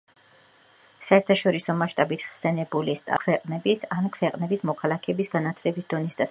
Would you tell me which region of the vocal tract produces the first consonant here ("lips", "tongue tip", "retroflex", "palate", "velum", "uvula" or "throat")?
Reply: tongue tip